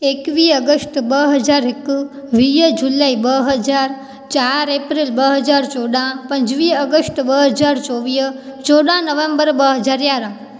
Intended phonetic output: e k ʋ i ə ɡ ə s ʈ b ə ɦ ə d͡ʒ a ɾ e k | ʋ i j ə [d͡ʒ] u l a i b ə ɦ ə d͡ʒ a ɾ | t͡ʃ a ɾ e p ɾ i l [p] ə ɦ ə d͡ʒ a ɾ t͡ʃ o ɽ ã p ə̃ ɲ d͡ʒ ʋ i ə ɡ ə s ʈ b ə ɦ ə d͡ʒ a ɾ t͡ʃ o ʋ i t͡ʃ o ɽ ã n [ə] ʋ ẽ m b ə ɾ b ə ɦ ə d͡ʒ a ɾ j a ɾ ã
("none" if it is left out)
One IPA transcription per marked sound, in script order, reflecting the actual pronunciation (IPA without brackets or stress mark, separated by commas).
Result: d͡ʒ, b, ə